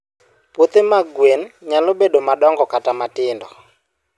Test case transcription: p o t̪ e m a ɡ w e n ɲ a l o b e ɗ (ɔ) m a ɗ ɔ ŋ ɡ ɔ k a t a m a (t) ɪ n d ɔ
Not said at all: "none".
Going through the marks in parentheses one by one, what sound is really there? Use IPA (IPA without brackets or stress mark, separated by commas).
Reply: o, t